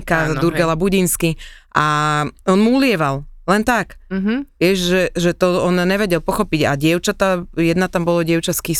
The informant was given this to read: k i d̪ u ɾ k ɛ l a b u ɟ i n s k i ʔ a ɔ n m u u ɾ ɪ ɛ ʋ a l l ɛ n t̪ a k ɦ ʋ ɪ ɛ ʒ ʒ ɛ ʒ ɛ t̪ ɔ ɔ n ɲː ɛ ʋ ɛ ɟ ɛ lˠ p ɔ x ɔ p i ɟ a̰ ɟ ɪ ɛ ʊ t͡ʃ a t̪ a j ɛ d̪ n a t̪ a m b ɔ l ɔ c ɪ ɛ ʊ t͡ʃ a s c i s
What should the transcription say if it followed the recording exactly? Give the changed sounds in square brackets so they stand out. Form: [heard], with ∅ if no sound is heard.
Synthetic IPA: k [a] d̪ u ɾ [ɡ] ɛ l a b u ɟ i n s k i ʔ a ɔ n m u u [l] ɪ ɛ ʋ a l l ɛ n t̪ a k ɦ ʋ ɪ ɛ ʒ ʒ ɛ ʒ ɛ t̪ ɔ ɔ n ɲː ɛ ʋ ɛ ɟ ɛ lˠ p ɔ x ɔ p i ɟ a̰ ɟ ɪ ɛ ʊ t͡ʃ a t̪ a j ɛ d̪ n a t̪ a m b ɔ l ɔ [ɟ] ɪ ɛ ʊ t͡ʃ a s [k] i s